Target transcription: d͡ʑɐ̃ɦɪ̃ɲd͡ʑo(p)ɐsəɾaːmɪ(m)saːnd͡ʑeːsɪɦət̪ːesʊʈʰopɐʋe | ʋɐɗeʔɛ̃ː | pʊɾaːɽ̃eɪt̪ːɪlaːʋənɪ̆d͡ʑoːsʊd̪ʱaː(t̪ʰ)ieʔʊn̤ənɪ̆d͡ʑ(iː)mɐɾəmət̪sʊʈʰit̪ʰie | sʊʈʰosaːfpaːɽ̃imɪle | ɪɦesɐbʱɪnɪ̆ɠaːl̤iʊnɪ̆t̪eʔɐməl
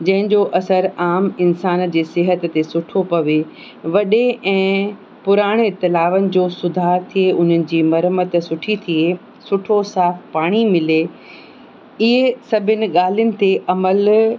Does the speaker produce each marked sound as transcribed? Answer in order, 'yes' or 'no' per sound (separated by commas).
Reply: no, no, yes, yes